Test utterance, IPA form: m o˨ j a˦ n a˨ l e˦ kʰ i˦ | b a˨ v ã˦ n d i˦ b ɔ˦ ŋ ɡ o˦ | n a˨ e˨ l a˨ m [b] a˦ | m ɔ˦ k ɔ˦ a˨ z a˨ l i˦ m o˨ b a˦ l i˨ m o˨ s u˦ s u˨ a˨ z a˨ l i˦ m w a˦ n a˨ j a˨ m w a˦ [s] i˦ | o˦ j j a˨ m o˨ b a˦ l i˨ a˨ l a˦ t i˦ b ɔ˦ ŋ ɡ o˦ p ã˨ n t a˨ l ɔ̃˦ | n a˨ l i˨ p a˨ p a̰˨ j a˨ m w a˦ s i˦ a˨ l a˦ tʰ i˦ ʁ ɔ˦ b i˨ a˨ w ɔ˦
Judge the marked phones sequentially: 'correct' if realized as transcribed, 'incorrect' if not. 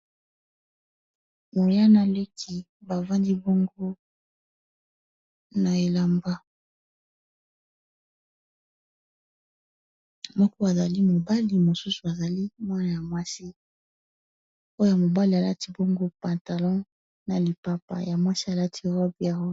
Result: correct, correct

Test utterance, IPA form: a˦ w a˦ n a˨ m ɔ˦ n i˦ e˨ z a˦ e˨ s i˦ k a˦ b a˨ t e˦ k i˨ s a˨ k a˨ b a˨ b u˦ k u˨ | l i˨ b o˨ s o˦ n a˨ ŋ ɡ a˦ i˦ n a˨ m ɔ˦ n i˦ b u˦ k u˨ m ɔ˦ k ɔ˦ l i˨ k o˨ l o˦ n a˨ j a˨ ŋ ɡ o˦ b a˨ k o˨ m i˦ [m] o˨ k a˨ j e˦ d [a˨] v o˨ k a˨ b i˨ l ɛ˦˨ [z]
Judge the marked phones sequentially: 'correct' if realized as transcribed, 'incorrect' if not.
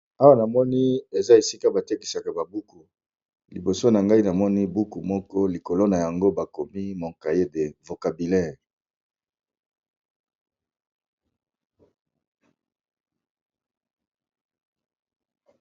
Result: correct, incorrect, incorrect

